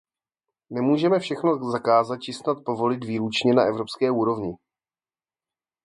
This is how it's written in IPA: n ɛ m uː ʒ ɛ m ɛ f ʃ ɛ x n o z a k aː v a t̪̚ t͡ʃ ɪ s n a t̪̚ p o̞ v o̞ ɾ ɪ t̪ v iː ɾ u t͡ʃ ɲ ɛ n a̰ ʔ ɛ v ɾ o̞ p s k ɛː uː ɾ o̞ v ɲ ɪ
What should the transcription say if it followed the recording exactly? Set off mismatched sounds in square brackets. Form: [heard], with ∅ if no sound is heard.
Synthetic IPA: n ɛ m uː ʒ ɛ m ɛ f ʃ ɛ x n o z a k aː [z] a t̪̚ t͡ʃ ɪ s n a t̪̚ p o̞ v o̞ [l] ɪ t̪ v iː ɾ u t͡ʃ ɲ ɛ n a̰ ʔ ɛ v ɾ o̞ p s k ɛː uː ɾ o̞ v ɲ ɪ